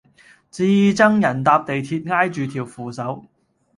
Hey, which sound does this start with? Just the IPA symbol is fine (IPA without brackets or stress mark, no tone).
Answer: t͡s